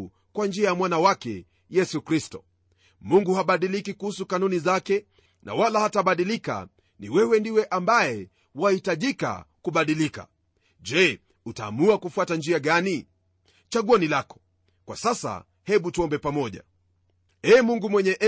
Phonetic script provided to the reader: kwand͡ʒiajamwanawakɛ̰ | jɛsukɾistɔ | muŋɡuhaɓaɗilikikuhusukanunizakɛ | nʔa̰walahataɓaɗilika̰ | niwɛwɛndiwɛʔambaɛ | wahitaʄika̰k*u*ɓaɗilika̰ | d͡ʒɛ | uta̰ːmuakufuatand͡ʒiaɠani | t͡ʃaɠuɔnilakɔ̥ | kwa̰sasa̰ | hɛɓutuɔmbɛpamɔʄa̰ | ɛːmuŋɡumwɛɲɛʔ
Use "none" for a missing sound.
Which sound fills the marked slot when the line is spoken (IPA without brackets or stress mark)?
u